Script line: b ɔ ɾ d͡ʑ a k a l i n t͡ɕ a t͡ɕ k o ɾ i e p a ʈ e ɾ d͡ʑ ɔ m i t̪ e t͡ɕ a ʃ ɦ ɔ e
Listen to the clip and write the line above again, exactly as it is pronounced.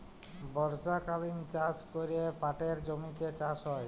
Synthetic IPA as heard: b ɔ ɾ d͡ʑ a k a l i n t͡ɕ a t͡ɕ k o ɾ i e p a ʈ e ɾ d͡ʑ o m i t̪ e t͡ɕ a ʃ ɦ ɔ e